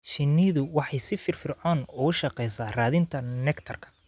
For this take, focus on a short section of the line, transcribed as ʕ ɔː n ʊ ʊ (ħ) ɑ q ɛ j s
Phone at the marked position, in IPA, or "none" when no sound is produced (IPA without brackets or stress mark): ʃ